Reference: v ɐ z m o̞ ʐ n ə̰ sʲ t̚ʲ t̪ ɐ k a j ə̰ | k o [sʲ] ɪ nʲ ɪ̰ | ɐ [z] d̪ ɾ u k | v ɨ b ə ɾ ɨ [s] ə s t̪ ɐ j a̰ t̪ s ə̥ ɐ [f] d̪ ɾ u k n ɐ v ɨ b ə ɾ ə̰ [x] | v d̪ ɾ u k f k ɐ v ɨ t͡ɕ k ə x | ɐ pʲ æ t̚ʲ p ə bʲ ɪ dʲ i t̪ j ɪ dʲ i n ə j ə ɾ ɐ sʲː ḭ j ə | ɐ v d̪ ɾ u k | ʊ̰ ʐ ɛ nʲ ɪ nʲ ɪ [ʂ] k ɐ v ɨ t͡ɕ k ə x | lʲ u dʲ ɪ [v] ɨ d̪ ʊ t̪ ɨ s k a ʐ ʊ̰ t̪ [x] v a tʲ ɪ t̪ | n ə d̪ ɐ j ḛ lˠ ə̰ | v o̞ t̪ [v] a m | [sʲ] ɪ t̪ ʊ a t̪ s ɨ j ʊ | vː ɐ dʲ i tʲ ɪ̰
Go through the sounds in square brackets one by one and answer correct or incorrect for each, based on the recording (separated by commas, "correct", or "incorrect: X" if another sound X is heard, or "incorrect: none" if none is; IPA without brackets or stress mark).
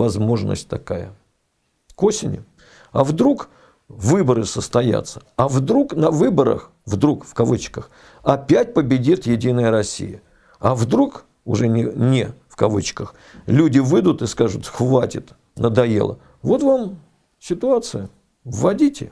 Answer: correct, incorrect: v, correct, incorrect: v, correct, incorrect: f, correct, correct, correct, correct